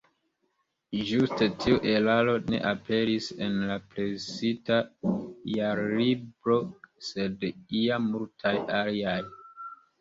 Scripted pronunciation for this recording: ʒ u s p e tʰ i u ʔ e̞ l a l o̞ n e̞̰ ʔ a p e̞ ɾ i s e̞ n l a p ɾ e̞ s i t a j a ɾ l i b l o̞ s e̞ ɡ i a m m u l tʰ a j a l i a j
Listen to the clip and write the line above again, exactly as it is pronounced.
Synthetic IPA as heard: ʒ u s t e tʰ i u ʔ e̞ l a l o̞ n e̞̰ ʔ a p e̞ ɾ i s e̞ n l a p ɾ e̞ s i t a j a ɾ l i b ɾ o̞ s e̞ d i a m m u l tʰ a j a l i a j

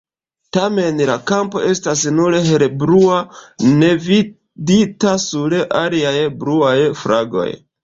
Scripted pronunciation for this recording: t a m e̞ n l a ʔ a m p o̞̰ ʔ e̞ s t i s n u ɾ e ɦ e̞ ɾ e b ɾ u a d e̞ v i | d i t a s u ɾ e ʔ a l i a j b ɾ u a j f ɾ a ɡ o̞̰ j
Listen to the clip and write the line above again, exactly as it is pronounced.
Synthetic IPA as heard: t a m e̞ n l a k a m p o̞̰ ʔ e̞ s t a s n u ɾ e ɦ e̞ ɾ e b ɾ u a n e̞ v i | d i t a s u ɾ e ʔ a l i a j b ɾ u a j f ɾ a ɡ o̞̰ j

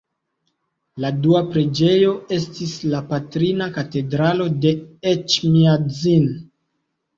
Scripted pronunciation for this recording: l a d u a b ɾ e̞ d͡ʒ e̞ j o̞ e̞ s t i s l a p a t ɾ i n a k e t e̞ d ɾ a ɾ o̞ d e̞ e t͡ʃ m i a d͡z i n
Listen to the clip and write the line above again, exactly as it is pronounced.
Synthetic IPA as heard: l a d u a p ɾ e̞ d͡ʒ e̞ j o̞ e̞ s t i s l a p a t ɾ i n a k a t e̞ d ɾ a l o̞ d e̞ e t͡ʃ m i a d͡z i n

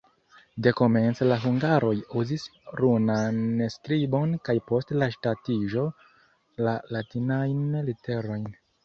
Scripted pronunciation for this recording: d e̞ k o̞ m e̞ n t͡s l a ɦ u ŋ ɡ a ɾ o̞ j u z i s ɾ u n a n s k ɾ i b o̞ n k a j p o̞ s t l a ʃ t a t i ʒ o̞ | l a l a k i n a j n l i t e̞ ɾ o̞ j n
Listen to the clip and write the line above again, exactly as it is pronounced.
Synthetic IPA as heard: d e̞ k o̞ m e̞ n t͡s l a ɦ u ŋ ɡ a ɾ o̞ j u z i s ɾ u n a n s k ɾ i b o̞ n k a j p o̞ s t l a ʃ t a t i ʒ o̞ | l a l a t i n a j n l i t e̞ ɾ o̞ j n

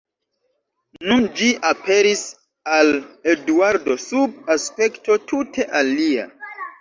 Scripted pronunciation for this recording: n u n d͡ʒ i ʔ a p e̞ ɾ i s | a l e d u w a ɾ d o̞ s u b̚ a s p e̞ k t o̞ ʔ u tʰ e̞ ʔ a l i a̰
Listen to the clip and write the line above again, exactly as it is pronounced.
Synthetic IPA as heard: n u n d͡ʒ i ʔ a p e̞ ɾ i s | a l e d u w a ɾ d o̞ s u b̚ a s p e̞ k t o̞ t u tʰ e̞ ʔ a l i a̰

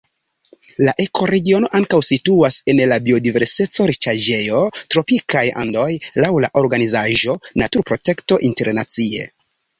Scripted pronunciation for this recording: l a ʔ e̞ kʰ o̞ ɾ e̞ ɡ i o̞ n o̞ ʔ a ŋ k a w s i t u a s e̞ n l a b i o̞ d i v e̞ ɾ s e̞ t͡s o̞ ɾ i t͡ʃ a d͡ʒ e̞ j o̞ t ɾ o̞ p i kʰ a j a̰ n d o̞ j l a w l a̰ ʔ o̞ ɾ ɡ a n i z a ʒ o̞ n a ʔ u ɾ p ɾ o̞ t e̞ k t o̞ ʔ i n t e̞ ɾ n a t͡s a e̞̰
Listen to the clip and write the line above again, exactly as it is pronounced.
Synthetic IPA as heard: l a ʔ e̞ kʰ o̞ ɾ e̞ ɡ i o̞ n o̞ ʔ a ŋ k a w s i t u a s e̞ n l a b i o̞ d i v e̞ ɾ s e̞ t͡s o̞ ɾ i t͡ʃ a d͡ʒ e̞ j o̞ t ɾ o̞ p i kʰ a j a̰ n d o̞ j l a w l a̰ ʔ o̞ ɾ ɡ a n i z a ʒ o̞ n a t u ɾ p ɾ o̞ t e̞ k t o̞ ʔ i n t e̞ ɾ n a t͡s i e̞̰

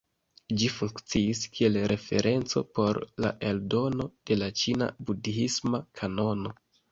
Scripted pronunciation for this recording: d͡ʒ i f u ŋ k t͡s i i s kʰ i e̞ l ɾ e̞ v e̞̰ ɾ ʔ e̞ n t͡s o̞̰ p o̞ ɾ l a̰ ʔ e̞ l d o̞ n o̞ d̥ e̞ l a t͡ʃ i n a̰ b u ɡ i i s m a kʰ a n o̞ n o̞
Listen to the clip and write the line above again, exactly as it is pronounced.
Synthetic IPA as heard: d͡ʒ i f u ŋ k t͡s i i s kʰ i e̞ l ɾ e̞ f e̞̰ ɾ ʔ e̞ n t͡s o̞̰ p o̞ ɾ l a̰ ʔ e̞ l d o̞ n o̞ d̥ e̞ l a t͡ʃ i n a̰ b u d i i s m a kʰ a n o̞ n o̞

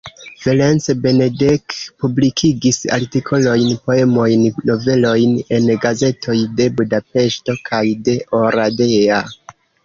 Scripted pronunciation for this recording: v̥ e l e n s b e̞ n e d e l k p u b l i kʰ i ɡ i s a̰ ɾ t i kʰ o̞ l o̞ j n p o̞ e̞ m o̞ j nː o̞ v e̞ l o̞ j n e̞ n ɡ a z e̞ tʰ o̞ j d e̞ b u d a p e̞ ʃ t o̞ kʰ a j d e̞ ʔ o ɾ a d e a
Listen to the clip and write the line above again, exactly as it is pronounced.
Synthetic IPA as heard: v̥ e l e n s b e̞ n e d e k p u b l i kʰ i ɡ i s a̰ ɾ t i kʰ o̞ l o̞ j n p o̞ e̞ m o̞ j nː o̞ v e̞ l o̞ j n e̞ n ɡ a z e̞ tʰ o̞ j d e̞ b u d a p e̞ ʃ t o̞ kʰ a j d e̞ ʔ o ɾ a d e a

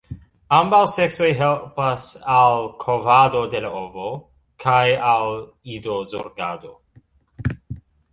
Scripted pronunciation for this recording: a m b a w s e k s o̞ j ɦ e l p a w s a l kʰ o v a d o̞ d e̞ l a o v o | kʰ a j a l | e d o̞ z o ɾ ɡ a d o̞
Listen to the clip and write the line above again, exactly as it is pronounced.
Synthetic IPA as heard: a m b a w s e k s o̞ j ɦ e l p a s a l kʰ o v a d o̞ d e̞ l a o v o | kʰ a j a l | i d o̞ z o ɾ ɡ a d o̞

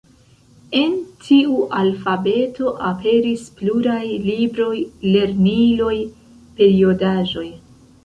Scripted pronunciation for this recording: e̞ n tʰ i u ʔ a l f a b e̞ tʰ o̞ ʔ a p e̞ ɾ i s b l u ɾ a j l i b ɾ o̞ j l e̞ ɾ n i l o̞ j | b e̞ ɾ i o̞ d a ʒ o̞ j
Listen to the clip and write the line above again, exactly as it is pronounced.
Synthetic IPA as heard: e̞ n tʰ i u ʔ a l f a b e̞ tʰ o̞ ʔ a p e̞ ɾ i s p l u ɾ a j l i b ɾ o̞ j l e̞ ɾ n i l o̞ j | p e̞ ɾ i o̞ d a ʒ o̞ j

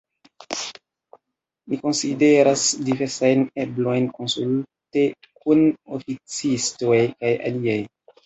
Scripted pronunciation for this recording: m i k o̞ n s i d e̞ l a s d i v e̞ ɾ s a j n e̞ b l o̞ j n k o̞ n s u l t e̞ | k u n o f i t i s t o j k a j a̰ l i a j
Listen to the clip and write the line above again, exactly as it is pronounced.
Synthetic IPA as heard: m i k o̞ n s i d e̞ ɾ a s d i v e̞ ɾ s a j n e̞ b l o̞ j n k o̞ n s u l t e̞ | k u n o f i t͡s i s t o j k a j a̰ l i a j

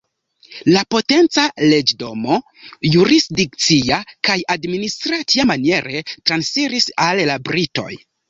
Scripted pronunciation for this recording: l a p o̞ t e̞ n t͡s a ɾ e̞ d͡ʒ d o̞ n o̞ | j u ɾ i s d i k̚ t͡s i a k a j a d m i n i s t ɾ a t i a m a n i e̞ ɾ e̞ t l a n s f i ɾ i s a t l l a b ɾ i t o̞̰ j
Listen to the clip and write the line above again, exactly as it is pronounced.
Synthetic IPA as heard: l a p o̞ t e̞ n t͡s a l e̞ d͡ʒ d o̞ m o̞ | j u ɾ i s d i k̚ t͡s i a k a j a d m i n i s t ɾ a t i a m a n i e̞ ɾ e̞ t ɾ a n s f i ɾ i s a l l a b ɾ i t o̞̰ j

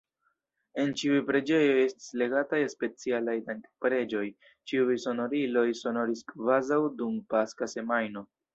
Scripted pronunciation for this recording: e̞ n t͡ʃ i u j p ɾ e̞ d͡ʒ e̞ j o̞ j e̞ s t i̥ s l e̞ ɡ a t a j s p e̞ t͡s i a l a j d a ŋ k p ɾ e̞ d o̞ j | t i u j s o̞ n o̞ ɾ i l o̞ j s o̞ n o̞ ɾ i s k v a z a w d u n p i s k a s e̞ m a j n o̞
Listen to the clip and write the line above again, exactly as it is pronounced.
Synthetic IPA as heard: e̞ n t͡ʃ i u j p ɾ e̞ d͡ʒ e̞ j o̞ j e̞ s t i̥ s l e̞ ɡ a t a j s p e̞ t͡s i a l a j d a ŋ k p ɾ e̞ d͡ʒ o̞ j | t͡ʃ i u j s o̞ n o̞ ɾ i l o̞ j s o̞ n o̞ ɾ i s k v a z a w d u m p a s k a s e̞ m a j n o̞

